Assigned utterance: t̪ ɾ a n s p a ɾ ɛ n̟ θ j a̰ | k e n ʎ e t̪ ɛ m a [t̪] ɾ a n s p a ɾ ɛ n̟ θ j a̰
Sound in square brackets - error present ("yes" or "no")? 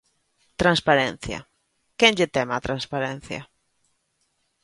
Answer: no